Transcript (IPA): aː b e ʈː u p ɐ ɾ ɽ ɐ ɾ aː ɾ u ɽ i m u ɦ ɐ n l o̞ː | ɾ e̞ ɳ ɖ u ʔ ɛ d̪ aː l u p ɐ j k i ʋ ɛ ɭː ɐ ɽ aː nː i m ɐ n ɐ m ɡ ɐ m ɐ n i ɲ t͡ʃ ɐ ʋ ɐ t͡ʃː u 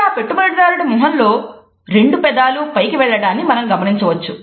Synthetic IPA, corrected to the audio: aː p e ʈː u b ɐ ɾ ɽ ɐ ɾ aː ɾ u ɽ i m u ɦ ɐ n l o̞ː | ɾ e̞ ɳ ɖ u p ɛ d̪ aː l u p ɐ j k i ʋ ɛ ɭː ɐ ɽ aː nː i m ɐ n ɐ m ɡ ɐ m ɐ n i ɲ t͡ʃ ɐ ʋ ɐ t͡ʃː u